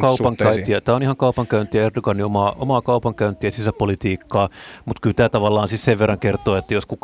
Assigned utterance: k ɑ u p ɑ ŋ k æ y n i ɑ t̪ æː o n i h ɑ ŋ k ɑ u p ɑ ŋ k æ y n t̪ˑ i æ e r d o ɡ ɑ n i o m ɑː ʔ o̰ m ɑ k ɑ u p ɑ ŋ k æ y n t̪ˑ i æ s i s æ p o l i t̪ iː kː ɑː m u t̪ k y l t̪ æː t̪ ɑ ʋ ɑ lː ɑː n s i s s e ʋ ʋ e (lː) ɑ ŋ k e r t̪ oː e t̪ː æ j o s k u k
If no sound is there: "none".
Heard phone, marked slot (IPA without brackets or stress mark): rː